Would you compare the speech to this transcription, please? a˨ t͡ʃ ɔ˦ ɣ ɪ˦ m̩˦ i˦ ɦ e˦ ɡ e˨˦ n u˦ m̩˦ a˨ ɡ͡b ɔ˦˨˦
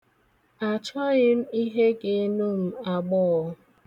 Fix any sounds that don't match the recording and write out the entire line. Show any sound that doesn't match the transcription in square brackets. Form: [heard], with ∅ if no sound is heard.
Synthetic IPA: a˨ t͡ʃ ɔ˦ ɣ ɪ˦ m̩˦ i˦ ɦ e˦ ɡ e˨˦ n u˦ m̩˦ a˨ ɡ͡b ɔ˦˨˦